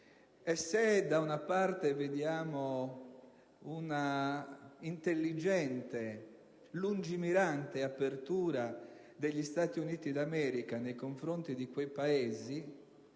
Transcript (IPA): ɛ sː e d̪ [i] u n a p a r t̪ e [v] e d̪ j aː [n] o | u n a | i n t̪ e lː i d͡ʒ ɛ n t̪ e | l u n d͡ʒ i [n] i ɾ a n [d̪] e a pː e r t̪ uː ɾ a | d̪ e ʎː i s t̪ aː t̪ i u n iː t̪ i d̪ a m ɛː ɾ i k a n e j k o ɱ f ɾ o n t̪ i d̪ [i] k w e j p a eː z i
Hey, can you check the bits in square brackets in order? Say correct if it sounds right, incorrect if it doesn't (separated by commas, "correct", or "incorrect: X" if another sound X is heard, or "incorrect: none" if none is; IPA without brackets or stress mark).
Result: incorrect: a, correct, incorrect: m, incorrect: m, incorrect: t̪, correct